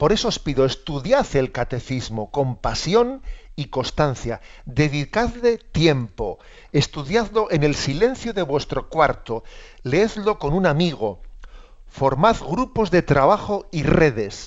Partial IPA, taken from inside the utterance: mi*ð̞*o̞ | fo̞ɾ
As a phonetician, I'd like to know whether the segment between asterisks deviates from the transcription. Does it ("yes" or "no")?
yes